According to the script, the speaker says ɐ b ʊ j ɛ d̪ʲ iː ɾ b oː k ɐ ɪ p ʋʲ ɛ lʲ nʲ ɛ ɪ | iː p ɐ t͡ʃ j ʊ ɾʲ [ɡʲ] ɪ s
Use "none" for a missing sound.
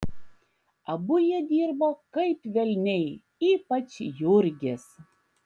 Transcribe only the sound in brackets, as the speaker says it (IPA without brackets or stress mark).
ɡʲ